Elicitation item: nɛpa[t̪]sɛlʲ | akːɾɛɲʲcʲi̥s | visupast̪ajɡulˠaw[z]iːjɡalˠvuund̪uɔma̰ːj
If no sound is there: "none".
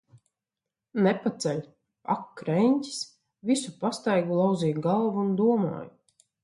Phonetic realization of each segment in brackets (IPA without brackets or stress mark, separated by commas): t̪, z